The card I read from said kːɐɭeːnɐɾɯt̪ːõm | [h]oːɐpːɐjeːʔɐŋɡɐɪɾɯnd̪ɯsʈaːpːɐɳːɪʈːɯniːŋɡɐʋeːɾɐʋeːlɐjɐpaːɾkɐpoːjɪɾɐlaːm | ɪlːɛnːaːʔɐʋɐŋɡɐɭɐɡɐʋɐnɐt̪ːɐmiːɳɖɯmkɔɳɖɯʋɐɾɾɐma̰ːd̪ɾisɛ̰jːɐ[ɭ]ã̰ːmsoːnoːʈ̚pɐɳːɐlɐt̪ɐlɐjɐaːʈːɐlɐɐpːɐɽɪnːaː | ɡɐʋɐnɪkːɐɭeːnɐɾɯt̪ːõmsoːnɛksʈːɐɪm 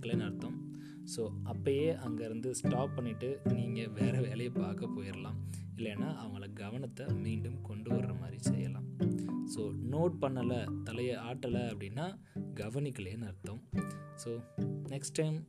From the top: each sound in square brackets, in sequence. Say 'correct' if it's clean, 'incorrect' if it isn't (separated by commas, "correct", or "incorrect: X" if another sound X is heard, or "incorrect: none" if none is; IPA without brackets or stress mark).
incorrect: s, incorrect: l